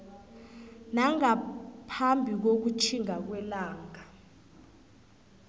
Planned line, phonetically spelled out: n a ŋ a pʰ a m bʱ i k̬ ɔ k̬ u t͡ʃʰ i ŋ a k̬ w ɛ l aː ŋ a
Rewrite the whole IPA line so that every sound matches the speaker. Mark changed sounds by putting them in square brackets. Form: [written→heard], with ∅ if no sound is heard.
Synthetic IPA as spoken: n a ŋ a pʰ a m bʱ i k̬ [ɔ→o] k̬ u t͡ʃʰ i ŋ a k̬ w ɛ l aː ŋ a